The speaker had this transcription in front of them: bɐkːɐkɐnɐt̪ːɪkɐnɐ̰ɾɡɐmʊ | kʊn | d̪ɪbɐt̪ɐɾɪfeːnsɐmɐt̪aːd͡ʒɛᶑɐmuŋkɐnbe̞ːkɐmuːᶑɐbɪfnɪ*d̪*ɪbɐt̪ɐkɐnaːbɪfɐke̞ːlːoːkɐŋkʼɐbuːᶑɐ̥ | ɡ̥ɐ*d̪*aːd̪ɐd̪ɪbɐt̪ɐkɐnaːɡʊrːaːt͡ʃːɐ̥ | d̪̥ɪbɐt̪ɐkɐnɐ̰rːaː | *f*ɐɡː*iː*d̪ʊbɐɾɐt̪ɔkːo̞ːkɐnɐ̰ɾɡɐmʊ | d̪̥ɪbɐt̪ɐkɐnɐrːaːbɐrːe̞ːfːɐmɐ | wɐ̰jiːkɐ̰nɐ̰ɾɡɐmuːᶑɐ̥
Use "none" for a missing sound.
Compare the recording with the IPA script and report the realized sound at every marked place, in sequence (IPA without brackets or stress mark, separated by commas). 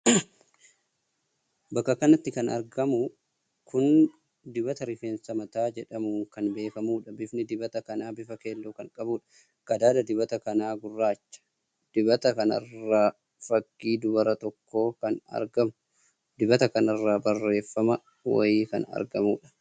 d̪, d̪, f, iː